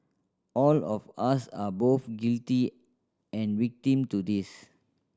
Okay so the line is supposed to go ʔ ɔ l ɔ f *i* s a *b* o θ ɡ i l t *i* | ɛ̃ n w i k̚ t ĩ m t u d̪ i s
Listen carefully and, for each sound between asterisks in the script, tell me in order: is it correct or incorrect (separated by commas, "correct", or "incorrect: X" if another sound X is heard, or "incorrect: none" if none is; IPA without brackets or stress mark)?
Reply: incorrect: a, correct, correct